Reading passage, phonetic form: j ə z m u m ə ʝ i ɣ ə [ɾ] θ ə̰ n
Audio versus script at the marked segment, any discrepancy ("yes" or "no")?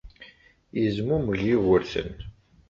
no